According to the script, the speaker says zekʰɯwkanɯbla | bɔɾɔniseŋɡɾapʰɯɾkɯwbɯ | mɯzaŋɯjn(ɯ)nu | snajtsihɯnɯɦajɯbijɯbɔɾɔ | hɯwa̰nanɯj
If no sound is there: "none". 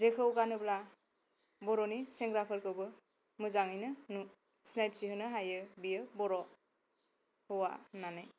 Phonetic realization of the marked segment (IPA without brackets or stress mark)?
ɯ